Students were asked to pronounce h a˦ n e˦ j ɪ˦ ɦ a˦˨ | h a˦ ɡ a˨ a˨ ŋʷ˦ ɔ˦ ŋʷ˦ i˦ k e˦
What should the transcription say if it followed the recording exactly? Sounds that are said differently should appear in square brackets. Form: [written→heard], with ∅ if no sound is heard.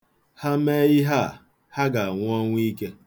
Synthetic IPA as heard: h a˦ [n→m] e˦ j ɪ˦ ɦ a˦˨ | h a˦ ɡ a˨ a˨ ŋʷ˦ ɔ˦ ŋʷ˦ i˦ k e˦